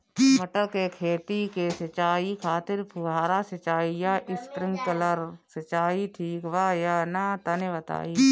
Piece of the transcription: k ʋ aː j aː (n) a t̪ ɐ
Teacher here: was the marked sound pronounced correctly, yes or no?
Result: yes